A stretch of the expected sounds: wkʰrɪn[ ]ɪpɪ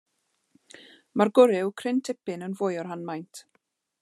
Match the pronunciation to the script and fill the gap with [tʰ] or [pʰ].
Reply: tʰ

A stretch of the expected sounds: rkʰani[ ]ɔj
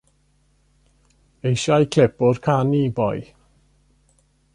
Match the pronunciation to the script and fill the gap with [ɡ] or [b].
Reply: b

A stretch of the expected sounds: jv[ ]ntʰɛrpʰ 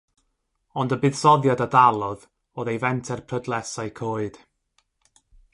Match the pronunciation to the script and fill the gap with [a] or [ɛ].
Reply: ɛ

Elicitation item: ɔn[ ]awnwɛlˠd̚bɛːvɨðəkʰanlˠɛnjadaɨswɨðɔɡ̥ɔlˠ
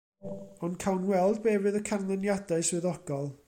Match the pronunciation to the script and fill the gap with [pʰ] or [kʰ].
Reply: kʰ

